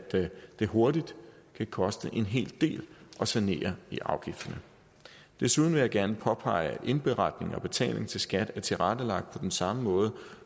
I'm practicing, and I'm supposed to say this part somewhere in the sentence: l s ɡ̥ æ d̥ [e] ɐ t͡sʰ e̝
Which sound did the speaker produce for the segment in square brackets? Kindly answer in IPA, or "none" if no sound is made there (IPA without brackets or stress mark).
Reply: æ